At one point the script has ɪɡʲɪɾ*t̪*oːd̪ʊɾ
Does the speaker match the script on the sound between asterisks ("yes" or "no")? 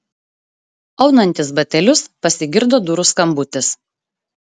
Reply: no